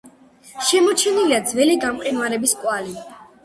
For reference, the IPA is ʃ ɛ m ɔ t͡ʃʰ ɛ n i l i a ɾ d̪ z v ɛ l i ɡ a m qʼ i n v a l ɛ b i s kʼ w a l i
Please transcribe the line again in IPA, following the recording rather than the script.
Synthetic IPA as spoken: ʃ ɛ m ɔ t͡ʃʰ ɛ n i l i a d̪ z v ɛ l i ɡ a m qʼ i n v a ɾ ɛ b i s kʼ w a l i

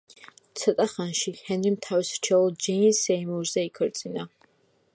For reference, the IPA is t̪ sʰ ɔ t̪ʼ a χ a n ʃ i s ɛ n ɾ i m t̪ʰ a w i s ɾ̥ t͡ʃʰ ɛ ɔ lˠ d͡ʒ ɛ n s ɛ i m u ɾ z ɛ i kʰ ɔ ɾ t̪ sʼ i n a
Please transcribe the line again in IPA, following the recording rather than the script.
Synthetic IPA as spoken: t̪ sʰ ɔ t̪ʼ a χ a n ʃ i h ɛ n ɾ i m t̪ʰ a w i s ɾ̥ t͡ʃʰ ɛ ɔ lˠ d͡ʒ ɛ n s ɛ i m u ɾ z ɛ i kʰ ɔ ɾ t̪ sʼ i n a

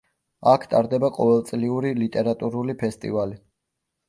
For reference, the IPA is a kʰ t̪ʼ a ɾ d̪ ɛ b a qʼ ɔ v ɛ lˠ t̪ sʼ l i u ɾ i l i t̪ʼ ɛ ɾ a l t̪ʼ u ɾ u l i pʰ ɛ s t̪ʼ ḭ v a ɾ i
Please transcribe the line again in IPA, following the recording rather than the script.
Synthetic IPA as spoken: a kʰ t̪ʼ a ɾ d̪ ɛ b a qʼ ɔ v ɛ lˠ t̪ sʼ l i u ɾ i l i t̪ʼ ɛ ɾ a t̪ʼ u ɾ u l i pʰ ɛ s t̪ʼ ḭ v a l i

